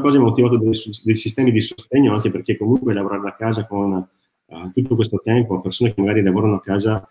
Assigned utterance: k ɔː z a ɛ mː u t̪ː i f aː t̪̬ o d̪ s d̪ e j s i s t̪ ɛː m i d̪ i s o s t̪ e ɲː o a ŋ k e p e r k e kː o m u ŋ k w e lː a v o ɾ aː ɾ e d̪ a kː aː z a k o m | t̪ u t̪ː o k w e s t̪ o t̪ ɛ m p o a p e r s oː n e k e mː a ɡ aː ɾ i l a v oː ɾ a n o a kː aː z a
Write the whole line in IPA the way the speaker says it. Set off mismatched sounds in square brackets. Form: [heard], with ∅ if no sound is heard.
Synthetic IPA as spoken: k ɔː z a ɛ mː [o] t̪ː i [v] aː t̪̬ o d̪ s d̪ e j s i s t̪ ɛː m i d̪ i s o s t̪ e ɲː o a ŋ k e p e r k e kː o m u ŋ k w e [l] a v o ɾ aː ɾ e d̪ a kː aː z a k o [n] | t̪ u t̪ː o k w e s t̪ o t̪ ɛ m p o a p e r s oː n e k e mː a ɡ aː ɾ i l a v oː ɾ a n o a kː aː z a